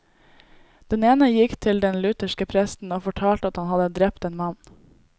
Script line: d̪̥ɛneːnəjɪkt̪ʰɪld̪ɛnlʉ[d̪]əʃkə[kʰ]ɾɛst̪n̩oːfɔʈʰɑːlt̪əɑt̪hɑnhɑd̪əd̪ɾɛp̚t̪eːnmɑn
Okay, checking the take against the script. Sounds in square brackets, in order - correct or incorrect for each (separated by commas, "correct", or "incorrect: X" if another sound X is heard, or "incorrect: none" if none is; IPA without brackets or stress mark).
incorrect: t̪, incorrect: pʰ